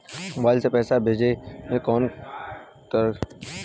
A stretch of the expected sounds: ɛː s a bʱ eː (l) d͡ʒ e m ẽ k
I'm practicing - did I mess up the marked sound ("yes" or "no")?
yes